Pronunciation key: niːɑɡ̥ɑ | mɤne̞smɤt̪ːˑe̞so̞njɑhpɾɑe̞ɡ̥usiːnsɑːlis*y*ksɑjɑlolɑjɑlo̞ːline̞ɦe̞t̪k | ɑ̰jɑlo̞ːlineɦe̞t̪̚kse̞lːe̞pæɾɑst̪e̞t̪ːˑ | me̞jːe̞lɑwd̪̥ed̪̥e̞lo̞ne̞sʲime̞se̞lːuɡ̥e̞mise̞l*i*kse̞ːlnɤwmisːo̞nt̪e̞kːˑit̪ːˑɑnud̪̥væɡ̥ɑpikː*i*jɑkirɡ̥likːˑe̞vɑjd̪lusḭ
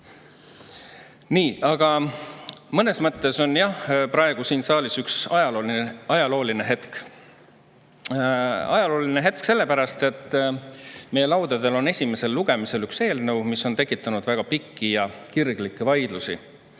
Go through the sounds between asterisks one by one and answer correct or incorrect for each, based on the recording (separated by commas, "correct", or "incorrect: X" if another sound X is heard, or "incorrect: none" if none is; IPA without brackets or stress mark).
correct, incorrect: y, correct